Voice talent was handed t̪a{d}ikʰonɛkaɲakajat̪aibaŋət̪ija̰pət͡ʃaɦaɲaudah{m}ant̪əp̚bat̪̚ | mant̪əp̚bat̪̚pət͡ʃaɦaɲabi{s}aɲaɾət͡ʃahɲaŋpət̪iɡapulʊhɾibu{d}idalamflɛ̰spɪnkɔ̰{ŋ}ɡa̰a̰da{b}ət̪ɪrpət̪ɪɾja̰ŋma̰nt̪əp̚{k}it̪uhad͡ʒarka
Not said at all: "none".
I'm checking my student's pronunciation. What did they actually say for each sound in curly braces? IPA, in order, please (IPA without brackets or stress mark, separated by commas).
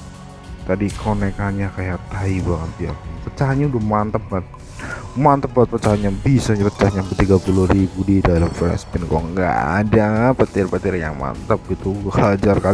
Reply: d, m, s, d, ŋ, p, ɡ